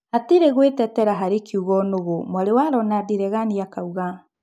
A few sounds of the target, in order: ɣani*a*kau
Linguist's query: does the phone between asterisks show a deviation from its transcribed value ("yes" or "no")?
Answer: no